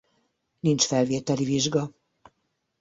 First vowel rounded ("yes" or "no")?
no